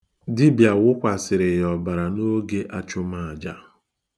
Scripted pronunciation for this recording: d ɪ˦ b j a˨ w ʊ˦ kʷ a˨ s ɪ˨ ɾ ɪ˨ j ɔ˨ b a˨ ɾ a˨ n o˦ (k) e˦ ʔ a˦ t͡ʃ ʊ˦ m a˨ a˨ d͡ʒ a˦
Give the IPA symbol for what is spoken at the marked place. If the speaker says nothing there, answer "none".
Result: ɡ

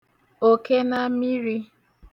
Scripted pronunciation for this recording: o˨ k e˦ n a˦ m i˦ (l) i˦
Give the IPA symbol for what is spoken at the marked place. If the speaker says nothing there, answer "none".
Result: ɾ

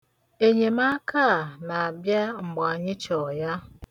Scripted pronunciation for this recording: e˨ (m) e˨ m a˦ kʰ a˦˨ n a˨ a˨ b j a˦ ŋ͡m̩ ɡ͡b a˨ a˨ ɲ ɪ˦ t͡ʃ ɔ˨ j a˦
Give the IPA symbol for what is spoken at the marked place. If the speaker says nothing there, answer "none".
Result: ɲ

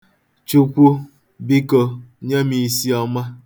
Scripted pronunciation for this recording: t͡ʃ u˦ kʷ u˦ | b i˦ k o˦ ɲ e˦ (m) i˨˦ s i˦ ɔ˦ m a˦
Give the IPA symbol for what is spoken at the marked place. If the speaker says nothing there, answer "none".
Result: m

